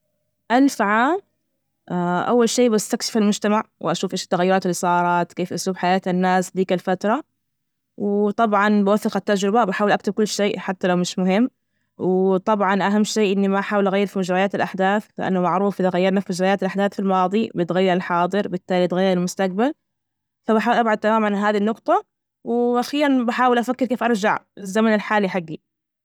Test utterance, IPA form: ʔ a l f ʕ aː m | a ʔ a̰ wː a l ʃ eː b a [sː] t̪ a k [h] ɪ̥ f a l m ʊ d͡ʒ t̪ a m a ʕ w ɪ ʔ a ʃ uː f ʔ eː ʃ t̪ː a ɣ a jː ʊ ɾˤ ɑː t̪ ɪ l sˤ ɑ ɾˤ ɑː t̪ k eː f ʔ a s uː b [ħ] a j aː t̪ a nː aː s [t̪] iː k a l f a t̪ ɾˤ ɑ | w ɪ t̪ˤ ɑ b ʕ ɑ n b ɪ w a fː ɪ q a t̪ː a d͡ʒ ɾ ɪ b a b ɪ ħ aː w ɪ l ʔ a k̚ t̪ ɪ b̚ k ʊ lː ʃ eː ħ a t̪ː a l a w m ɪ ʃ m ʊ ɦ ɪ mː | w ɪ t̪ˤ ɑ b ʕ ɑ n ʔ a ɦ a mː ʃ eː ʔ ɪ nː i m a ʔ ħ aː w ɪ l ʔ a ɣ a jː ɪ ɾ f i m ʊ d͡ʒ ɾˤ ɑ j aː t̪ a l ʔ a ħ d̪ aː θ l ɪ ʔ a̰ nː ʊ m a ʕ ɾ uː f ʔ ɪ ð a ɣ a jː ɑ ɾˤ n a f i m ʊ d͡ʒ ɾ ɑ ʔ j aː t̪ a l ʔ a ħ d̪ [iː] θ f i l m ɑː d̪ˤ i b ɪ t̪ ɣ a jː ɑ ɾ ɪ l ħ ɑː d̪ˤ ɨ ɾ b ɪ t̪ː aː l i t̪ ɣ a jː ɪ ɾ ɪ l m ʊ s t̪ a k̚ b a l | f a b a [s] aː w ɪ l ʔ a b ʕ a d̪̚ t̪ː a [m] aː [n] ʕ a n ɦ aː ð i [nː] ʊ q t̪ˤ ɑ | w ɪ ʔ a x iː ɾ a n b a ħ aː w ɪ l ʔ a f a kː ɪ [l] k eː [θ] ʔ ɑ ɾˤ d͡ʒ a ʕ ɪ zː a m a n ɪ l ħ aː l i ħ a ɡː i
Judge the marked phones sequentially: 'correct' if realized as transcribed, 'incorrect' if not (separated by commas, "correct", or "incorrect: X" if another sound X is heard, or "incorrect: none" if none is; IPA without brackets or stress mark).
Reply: incorrect: s, incorrect: ʃ, correct, incorrect: d̪, incorrect: aː, incorrect: ħ, correct, incorrect: m, correct, incorrect: ɾ, incorrect: f